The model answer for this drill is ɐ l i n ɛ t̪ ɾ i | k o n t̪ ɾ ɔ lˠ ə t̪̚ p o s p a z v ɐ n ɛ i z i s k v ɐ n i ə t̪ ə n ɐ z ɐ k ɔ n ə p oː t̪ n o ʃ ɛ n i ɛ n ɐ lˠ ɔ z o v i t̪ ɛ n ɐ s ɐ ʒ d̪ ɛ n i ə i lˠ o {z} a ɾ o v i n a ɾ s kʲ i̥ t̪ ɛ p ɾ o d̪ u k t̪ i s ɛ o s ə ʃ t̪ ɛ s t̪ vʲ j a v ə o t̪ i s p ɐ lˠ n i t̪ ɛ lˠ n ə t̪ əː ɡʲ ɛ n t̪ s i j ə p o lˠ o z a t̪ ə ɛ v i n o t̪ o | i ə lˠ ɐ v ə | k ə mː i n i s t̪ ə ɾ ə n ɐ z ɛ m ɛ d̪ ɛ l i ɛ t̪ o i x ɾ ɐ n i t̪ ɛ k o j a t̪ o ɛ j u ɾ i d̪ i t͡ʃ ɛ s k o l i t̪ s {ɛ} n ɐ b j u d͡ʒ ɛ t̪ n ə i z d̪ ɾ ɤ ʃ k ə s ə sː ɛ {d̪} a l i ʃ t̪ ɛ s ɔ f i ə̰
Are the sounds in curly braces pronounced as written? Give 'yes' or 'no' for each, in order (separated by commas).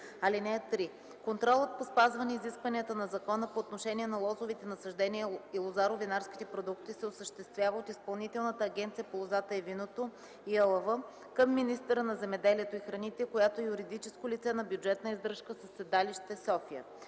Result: yes, yes, yes